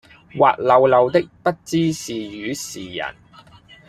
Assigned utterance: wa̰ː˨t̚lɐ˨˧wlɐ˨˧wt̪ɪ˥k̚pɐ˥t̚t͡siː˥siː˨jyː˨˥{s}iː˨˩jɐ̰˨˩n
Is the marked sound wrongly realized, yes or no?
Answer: no